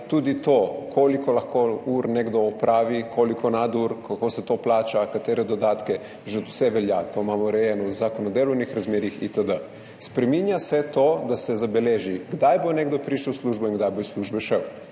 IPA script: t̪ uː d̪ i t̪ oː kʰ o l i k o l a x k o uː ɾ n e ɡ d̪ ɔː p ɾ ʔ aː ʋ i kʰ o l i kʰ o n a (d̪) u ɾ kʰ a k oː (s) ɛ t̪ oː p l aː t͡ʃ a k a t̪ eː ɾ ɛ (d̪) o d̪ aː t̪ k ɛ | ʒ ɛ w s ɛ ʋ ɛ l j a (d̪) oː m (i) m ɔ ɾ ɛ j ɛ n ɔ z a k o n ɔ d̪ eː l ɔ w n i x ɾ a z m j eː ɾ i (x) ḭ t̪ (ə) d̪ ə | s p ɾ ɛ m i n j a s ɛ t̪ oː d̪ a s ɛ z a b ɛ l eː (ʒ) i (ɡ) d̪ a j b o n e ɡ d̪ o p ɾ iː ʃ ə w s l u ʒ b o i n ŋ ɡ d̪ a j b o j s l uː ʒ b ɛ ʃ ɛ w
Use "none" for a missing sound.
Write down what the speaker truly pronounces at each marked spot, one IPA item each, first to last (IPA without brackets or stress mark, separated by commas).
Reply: d̪, s, d̪, t̪, a, x, ə, ʒ, ɡ